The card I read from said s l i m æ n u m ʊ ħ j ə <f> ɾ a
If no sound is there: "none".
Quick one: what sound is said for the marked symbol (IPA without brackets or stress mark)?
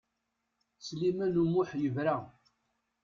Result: v